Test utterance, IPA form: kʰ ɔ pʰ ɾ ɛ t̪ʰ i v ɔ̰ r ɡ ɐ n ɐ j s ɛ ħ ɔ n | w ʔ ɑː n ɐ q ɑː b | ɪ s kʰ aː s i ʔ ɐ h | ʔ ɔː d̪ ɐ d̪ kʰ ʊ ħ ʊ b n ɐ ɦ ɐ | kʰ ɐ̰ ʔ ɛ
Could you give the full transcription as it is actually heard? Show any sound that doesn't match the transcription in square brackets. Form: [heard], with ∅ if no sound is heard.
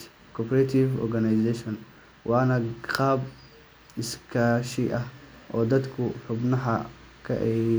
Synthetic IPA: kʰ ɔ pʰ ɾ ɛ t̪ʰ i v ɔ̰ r ɡ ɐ n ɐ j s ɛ [ʃ] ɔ n | w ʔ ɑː n ɐ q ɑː b | ɪ s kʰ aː [ʃ] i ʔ ɐ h | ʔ ɔː d̪ ɐ d̪ kʰ ʊ ħ ʊ b n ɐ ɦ ɐ | kʰ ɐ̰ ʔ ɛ